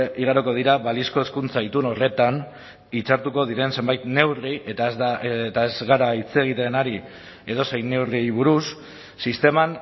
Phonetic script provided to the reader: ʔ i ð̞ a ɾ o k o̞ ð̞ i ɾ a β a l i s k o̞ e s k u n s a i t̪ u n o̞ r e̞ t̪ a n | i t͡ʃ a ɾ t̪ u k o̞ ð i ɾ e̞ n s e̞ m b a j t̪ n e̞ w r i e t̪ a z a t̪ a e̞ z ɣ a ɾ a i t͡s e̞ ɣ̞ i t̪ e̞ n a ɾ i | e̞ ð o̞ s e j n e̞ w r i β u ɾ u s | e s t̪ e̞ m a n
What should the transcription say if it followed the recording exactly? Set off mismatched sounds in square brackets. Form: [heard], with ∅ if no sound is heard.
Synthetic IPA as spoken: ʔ i [ɣ̞] a ɾ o k o̞ ð̞ i ɾ a β a l i s k o̞ e s k u n [t͡s] a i t̪ u n o̞ r e̞ t̪ a n | i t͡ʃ a ɾ t̪ u k o̞ ð i ɾ e̞ n s e̞ m b a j t̪ n e̞ w r i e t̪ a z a t̪ a e̞ z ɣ a ɾ a i t͡s e̞ ɣ̞ i t̪ e̞ n a ɾ i | e̞ ð o̞ s e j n e̞ w r i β u ɾ u [sː] | [i] s t̪ e̞ m a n